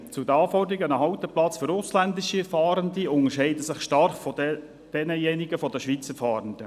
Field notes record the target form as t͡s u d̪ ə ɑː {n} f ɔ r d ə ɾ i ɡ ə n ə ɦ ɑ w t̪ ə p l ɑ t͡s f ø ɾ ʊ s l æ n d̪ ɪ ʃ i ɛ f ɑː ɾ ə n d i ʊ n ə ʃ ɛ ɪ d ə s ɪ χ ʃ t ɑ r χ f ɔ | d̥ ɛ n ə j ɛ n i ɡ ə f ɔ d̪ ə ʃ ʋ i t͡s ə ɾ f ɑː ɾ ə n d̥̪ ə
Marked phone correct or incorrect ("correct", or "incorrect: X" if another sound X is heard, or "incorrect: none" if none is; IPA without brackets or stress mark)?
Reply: incorrect: none